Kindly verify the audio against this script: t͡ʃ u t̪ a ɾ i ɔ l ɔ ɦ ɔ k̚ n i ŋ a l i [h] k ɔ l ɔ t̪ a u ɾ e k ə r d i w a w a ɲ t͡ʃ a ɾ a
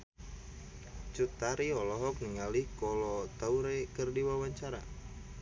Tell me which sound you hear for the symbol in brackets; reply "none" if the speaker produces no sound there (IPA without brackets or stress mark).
h